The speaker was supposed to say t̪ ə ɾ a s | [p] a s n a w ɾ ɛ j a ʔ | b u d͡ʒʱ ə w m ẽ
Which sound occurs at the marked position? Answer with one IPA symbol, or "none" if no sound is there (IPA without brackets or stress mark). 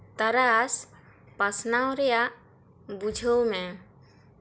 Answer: p